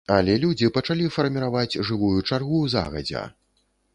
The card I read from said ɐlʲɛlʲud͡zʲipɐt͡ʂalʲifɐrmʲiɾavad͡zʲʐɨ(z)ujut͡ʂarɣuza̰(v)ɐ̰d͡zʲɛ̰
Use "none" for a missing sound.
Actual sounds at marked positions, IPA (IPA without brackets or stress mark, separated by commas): v, ɣ